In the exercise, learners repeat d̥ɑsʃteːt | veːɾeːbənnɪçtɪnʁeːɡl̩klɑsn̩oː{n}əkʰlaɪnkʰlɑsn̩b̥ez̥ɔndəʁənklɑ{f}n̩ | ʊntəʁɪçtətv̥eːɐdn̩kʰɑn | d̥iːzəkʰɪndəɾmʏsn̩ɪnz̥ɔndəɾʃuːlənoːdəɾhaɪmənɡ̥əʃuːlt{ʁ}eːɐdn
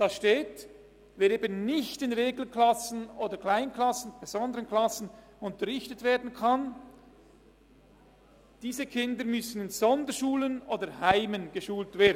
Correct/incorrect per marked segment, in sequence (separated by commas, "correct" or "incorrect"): incorrect, incorrect, incorrect